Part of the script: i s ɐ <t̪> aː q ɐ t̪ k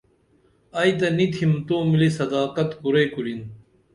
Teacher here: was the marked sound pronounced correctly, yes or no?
no